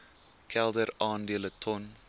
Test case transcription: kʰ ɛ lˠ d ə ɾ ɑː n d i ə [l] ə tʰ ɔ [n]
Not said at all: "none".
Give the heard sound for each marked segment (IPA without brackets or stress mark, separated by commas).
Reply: l, n